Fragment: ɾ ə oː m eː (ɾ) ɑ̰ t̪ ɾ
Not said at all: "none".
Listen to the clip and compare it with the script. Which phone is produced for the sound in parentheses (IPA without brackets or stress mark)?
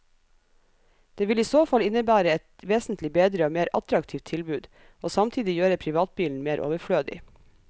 ɾ